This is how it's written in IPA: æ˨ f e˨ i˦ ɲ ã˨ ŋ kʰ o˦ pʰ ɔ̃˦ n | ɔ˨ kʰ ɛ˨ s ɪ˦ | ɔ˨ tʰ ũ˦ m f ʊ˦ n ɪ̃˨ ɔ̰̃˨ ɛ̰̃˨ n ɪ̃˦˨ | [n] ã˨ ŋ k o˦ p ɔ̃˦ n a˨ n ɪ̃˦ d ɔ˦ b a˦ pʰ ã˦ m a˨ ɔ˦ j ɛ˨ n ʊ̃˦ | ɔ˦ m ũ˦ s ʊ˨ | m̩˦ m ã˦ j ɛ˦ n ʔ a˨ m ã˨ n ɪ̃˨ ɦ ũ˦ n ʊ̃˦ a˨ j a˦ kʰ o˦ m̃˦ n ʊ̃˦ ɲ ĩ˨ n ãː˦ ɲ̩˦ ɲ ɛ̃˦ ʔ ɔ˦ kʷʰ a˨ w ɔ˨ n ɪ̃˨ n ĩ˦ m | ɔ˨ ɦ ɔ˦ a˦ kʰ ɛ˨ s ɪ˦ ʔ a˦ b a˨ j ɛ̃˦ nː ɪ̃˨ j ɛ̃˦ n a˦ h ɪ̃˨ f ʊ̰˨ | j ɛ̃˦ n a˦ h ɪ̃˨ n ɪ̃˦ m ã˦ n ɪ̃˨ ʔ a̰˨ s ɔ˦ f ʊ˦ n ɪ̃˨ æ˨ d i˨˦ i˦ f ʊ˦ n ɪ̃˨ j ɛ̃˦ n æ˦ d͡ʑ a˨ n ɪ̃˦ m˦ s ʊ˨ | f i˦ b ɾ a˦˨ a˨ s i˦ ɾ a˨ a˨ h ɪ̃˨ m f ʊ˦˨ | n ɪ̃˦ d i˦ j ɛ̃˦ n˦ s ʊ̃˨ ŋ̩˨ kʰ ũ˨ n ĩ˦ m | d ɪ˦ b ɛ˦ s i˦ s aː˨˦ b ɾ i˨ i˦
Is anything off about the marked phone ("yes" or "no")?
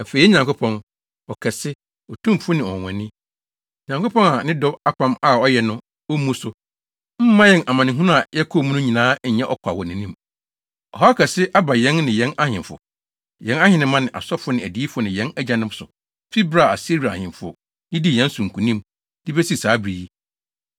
yes